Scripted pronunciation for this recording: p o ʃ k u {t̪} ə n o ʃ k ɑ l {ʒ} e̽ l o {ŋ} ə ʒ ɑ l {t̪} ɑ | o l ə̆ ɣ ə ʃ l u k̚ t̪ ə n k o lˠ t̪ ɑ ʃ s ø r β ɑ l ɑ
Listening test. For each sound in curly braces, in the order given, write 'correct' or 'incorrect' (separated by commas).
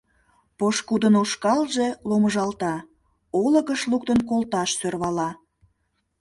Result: incorrect, correct, incorrect, correct